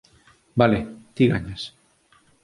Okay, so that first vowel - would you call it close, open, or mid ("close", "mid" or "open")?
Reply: open